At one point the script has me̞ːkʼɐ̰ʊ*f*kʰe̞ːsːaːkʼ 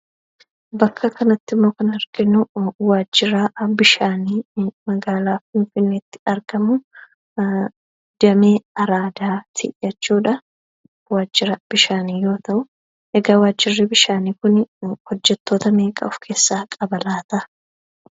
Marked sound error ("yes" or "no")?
no